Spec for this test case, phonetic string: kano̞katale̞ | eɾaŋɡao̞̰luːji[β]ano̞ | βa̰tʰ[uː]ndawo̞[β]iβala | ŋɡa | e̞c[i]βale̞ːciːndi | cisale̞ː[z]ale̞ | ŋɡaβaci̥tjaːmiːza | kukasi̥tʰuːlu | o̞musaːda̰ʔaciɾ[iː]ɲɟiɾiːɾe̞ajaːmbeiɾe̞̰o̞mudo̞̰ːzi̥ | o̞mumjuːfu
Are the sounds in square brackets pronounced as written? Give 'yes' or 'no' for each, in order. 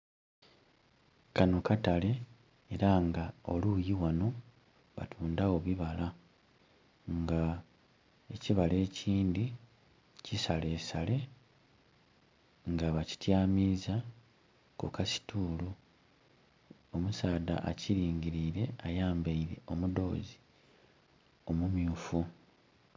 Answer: no, yes, yes, yes, no, yes

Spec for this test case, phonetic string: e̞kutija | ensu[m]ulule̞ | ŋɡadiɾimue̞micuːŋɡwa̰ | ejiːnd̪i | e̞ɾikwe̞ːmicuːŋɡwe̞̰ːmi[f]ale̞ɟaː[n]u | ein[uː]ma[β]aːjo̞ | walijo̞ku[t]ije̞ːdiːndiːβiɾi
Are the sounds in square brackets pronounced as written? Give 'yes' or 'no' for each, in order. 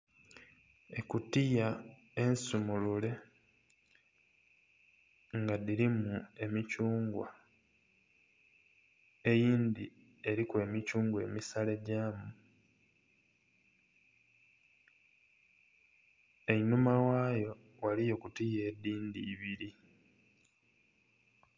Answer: yes, no, no, no, no, yes

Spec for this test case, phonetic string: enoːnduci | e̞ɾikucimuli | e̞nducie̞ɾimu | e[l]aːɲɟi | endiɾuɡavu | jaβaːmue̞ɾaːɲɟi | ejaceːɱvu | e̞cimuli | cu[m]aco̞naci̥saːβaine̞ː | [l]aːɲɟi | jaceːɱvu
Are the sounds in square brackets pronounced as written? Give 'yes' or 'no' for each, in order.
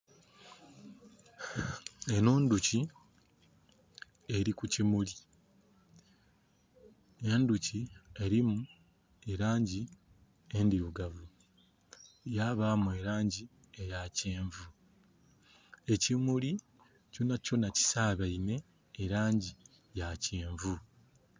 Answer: no, no, no

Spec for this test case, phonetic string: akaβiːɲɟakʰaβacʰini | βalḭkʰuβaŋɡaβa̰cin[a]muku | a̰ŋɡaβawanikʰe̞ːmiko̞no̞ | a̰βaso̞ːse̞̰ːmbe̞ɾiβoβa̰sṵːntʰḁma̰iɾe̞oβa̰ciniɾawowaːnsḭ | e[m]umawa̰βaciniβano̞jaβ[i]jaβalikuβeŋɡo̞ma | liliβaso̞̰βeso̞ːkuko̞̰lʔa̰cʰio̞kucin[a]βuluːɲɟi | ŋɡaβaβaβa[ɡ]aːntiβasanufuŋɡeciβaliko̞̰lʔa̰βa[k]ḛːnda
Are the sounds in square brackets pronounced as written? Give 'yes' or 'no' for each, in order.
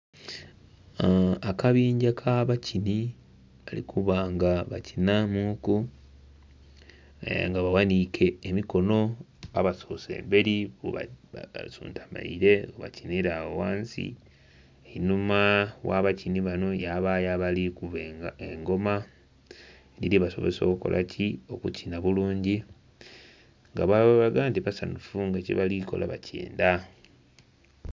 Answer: yes, no, no, yes, yes, no

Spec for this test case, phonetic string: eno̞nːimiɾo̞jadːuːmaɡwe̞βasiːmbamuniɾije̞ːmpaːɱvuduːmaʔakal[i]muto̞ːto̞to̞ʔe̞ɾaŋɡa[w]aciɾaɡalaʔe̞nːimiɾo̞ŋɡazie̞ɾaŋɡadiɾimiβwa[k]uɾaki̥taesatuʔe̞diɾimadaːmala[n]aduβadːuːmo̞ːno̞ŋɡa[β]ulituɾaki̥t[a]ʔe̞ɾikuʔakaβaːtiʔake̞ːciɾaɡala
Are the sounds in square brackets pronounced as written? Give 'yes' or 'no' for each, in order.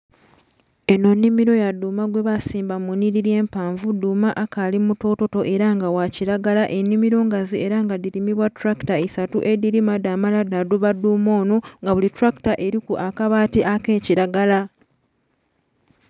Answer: yes, yes, no, no, yes, yes

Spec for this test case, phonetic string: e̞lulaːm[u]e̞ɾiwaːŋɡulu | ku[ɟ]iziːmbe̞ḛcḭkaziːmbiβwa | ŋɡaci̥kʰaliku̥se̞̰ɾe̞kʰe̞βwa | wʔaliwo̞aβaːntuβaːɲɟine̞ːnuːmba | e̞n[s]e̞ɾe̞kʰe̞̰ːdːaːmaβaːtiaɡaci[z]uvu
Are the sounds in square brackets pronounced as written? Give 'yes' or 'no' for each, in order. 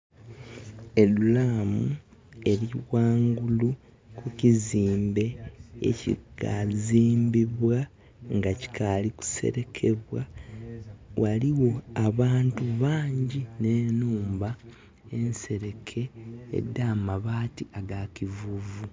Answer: yes, no, yes, no

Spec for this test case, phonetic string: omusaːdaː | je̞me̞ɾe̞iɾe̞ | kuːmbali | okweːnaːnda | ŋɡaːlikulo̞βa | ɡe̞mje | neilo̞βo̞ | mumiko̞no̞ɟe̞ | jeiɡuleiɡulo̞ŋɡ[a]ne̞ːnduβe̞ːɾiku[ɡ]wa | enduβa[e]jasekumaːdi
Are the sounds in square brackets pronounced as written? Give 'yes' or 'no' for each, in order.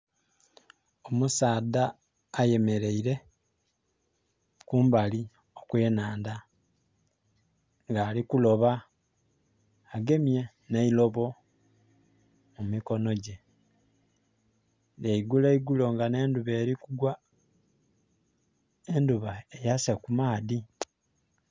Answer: yes, yes, yes

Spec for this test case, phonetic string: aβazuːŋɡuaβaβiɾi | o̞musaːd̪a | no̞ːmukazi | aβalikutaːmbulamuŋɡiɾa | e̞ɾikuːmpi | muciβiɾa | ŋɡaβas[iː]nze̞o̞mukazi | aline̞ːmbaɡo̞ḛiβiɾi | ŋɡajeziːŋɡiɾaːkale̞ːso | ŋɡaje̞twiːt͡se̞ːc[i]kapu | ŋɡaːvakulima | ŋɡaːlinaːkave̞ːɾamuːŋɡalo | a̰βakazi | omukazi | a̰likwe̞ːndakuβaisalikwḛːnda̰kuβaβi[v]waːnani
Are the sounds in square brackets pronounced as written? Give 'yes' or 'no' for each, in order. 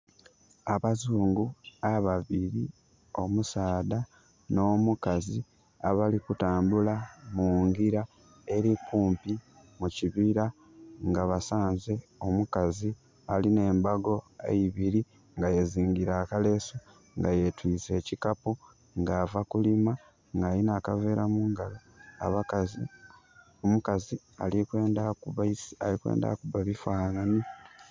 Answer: no, yes, no

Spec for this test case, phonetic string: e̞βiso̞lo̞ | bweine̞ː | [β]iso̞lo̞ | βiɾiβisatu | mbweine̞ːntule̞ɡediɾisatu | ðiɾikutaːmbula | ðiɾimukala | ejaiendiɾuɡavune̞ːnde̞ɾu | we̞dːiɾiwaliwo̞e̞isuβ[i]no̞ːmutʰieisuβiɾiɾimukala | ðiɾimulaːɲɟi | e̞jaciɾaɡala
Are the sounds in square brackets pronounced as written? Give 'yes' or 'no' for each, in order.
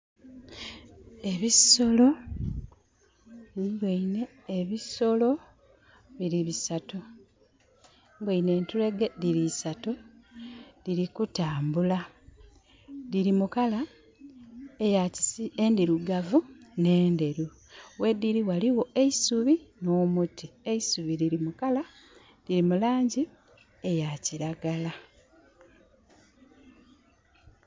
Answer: yes, yes

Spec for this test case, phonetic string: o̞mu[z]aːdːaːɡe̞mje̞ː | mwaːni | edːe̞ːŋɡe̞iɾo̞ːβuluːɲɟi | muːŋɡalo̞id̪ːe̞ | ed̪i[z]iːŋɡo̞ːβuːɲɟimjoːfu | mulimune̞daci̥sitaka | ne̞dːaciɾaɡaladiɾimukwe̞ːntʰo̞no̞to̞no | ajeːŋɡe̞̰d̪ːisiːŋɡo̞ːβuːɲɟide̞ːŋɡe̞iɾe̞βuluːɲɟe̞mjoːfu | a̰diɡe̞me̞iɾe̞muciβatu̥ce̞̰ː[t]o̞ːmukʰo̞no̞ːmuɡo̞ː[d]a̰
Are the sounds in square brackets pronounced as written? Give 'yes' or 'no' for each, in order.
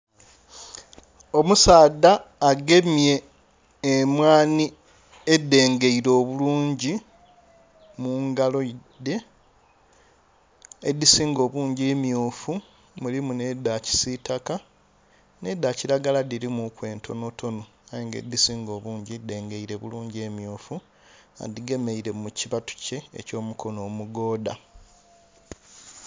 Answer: no, no, no, yes

